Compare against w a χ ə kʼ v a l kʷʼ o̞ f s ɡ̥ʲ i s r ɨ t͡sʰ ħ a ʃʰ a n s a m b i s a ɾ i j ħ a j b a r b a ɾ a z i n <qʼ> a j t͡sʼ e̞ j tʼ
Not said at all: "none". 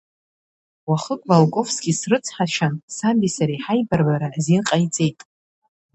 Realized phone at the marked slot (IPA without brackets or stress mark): qʼ